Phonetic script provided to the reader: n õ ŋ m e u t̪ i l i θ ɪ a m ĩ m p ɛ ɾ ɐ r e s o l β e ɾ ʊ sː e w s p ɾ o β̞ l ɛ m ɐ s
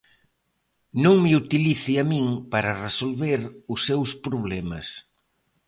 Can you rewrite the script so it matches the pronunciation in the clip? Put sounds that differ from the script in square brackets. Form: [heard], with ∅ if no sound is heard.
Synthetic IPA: n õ ŋ m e u t̪ i l i θ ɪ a m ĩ [ŋ] p [a] ɾ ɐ r e s o l β e ɾ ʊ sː e w s p ɾ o β̞ l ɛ m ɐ s